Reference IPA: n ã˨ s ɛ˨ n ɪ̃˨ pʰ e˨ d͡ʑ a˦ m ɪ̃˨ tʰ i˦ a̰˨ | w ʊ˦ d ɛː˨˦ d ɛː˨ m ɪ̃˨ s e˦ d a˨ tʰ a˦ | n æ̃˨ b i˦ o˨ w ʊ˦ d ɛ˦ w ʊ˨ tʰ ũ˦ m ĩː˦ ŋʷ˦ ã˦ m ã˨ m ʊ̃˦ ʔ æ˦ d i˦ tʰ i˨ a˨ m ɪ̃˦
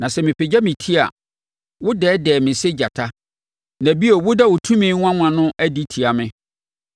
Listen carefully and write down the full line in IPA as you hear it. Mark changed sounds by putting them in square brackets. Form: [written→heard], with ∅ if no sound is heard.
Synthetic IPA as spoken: n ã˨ s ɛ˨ [n→m] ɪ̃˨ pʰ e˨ d͡ʑ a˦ m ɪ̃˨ tʰ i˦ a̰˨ | w ʊ˦ d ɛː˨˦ d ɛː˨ m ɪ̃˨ s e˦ [d→d͡ʑ] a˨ tʰ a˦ | n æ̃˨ b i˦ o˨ w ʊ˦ d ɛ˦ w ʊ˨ tʰ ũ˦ m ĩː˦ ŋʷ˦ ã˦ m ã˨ [m→n] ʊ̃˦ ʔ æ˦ d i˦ tʰ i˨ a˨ m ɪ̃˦

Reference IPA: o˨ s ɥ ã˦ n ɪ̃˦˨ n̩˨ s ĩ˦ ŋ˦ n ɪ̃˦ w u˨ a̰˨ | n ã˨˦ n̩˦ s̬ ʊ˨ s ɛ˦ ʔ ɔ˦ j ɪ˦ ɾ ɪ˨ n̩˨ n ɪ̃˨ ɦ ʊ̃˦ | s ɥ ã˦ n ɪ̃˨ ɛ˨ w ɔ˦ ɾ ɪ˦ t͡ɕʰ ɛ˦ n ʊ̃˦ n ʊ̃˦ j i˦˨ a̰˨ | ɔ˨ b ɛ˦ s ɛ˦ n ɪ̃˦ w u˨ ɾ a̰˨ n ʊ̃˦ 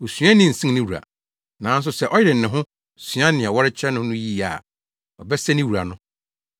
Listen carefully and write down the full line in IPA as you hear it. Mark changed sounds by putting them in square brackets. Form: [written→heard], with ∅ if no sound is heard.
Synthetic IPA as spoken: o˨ s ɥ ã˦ n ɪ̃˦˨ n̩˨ s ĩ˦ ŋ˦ n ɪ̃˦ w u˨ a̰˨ | n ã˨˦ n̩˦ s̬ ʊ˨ s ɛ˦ ʔ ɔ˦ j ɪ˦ ɾ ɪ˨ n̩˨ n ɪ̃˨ ɦ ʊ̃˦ | s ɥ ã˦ n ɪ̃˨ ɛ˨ w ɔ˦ ɾ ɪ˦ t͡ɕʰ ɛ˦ n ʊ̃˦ n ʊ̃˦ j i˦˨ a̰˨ | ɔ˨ b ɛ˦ s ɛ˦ n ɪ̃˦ w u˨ ɾ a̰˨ n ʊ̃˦

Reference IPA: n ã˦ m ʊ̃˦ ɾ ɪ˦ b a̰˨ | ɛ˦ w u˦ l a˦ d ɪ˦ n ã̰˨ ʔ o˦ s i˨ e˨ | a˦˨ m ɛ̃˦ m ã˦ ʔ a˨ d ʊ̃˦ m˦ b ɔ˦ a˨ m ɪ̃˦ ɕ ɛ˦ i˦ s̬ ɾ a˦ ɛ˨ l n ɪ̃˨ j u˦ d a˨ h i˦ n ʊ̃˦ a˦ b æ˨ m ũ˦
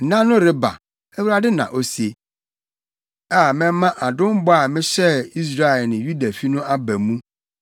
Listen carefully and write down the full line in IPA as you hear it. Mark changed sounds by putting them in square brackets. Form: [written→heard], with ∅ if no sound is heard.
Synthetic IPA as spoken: n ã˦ [m→n] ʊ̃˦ ɾ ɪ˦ b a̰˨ | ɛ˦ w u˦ [l→ɾ] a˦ d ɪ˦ n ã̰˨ ʔ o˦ s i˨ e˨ | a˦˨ m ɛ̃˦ m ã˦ ʔ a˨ d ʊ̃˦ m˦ b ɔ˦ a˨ m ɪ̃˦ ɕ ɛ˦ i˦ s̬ ɾ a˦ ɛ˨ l n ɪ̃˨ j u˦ d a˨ [h→f] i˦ n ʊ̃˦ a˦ b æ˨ m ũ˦

